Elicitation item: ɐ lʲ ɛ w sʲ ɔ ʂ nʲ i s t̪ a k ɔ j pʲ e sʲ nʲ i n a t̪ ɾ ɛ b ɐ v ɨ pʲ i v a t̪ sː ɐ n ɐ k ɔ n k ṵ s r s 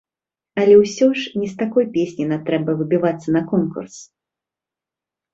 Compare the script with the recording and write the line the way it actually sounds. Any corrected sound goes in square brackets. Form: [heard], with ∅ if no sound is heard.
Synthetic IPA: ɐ lʲ ɛ w sʲ ɔ ʂ nʲ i s t̪ a k ɔ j pʲ e sʲ nʲ i n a t̪ ɾ ɛ b ɐ v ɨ [bʲ] i v a t̪ sː ɐ n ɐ k ɔ n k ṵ [∅] r s